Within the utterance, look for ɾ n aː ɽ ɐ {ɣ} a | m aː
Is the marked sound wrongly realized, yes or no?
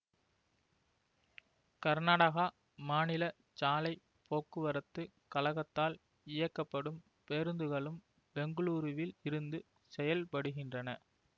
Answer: no